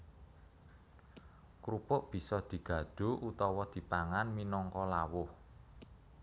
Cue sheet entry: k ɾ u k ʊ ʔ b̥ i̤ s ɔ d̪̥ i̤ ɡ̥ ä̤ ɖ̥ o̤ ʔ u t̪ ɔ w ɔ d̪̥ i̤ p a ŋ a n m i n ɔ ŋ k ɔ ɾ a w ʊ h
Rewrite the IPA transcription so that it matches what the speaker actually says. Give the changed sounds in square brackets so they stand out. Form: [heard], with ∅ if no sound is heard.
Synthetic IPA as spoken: k ɾ u [p] ʊ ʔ b̥ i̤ s ɔ d̪̥ i̤ ɡ̥ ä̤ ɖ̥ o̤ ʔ u t̪ ɔ w ɔ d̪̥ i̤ p a ŋ a n m i n ɔ ŋ k ɔ [l] a w ʊ h